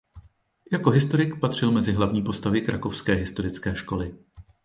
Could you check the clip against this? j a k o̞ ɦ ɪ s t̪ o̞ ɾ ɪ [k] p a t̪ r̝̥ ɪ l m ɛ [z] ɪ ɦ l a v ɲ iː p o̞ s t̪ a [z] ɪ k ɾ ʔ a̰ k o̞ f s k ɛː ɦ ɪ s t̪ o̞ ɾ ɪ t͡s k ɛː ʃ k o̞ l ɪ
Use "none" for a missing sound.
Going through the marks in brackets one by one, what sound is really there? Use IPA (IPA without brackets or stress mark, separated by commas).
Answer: k, z, v